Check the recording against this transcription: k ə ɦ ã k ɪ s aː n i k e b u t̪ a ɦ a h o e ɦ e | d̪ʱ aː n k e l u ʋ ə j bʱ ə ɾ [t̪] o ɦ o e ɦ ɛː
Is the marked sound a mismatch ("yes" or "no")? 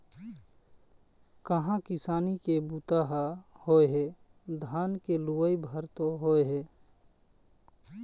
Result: no